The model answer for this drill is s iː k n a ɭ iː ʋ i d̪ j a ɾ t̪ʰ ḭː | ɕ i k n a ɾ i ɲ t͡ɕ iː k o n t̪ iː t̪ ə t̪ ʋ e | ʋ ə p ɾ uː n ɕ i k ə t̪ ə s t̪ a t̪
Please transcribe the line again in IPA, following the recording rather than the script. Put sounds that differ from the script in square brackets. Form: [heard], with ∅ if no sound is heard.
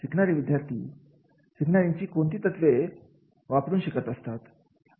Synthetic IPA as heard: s [i] k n a [ɾ] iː ʋ i d̪ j a ɾ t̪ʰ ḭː | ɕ i k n a ɾ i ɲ t͡ɕ iː k o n t̪ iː t̪ ə t̪ ʋ e | ʋ [a] p ɾ uː n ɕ i k ə t̪ ə s t̪ a t̪

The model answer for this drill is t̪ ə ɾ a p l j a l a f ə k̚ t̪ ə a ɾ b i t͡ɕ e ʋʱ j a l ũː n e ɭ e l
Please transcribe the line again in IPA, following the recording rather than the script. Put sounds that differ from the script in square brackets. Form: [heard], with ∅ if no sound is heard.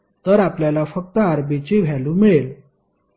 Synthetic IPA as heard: t̪ ə ɾ a p l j a l a f ə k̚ t̪ ə a ɾ b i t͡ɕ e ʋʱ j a l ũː [m] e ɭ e l

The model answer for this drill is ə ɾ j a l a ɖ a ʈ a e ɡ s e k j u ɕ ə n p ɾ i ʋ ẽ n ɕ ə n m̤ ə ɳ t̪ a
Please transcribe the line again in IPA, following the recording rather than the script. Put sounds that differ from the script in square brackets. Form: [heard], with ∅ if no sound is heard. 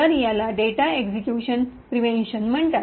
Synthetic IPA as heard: ə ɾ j a l a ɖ [e] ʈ a e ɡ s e k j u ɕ ə n p ɾ i ʋ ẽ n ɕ ə n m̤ ə ɳ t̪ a

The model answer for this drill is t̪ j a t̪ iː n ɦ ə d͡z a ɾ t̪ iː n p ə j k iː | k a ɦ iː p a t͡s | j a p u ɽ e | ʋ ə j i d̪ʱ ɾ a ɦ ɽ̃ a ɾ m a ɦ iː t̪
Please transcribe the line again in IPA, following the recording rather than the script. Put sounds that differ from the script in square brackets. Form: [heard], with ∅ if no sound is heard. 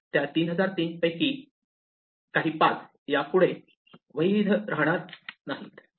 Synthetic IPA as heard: t̪ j a t̪ iː n ɦ ə d͡z a ɾ t̪ iː n p ə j k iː | k a ɦ iː p a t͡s | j a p u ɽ e | ʋ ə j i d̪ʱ ɾ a ɦ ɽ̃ a ɾ [n] a ɦ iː t̪

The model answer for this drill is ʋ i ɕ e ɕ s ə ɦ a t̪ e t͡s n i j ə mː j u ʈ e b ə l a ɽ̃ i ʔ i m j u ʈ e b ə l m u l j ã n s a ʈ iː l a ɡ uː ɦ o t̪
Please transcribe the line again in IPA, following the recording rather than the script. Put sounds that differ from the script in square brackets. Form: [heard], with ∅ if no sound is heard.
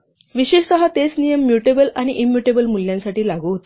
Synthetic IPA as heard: ʋ i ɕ e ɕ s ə ɦ a t̪ e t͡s n i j ə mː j u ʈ e b ə l a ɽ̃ i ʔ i m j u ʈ e b ə l m u l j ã n s a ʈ iː l a ɡ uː ɦ o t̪

